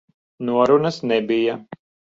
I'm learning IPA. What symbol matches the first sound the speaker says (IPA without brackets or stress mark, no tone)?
n